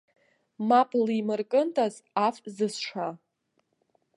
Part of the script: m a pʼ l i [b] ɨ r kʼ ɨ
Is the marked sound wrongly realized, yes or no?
yes